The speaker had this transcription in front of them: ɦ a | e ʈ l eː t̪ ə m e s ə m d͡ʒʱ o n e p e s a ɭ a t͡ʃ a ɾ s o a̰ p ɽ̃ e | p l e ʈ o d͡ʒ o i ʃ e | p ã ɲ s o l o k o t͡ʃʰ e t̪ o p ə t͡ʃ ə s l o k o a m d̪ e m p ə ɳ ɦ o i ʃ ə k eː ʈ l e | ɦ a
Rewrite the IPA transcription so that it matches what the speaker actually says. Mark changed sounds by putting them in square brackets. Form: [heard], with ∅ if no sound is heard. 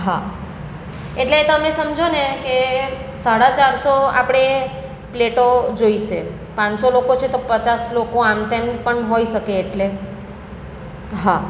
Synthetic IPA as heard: ɦ a | e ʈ l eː t̪ ə m e s ə m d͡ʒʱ o n e [k] e s a [ɽ] a t͡ʃ a ɾ s o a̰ p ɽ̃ e | p l e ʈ o d͡ʒ o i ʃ e | p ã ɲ s o l o k o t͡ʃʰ e t̪ o p ə t͡ʃ [a] s l o k o a m [t̪] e m p ə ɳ ɦ o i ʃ ə k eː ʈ l e | ɦ a